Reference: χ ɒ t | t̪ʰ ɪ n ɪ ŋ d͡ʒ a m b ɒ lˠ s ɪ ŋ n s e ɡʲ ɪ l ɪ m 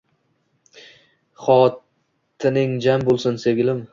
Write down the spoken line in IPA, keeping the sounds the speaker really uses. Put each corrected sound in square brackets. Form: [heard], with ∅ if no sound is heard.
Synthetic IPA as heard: χ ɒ t | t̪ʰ ɪ n ɪ ŋ d͡ʒ a m b [o] lˠ s ɪ [∅] n s e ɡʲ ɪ l ɪ m